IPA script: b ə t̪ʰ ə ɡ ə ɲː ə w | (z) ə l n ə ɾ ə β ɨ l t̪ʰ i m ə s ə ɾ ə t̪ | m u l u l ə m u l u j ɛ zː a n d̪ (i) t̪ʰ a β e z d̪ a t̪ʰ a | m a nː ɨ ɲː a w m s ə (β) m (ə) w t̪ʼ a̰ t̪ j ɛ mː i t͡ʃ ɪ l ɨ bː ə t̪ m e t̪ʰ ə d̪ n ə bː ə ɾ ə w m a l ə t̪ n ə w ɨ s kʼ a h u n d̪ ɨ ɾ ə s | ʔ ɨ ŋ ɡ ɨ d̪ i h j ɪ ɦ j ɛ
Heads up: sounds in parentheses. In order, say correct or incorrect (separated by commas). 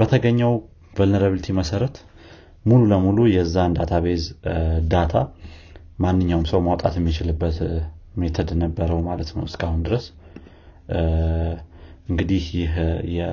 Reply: incorrect, incorrect, incorrect, incorrect